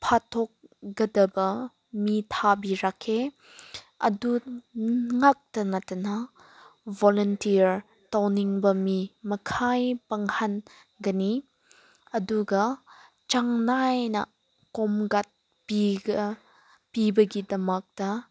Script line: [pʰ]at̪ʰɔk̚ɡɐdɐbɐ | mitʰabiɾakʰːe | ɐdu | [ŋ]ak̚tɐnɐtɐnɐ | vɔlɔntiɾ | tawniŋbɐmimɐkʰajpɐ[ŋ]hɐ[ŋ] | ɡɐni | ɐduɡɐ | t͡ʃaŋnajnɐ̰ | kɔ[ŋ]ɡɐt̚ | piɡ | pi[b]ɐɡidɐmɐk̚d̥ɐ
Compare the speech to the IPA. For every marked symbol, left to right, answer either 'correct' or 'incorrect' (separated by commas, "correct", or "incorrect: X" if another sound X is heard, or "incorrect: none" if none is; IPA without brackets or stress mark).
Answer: correct, correct, correct, incorrect: n, incorrect: m, correct